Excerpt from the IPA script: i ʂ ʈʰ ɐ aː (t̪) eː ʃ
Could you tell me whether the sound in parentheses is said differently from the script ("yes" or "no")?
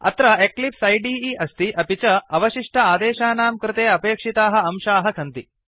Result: yes